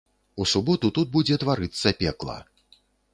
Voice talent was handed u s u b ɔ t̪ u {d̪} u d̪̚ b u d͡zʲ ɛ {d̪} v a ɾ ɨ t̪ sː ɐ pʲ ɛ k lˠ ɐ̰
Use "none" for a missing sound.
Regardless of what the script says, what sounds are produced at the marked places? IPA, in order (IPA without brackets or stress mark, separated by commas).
t̪, t̪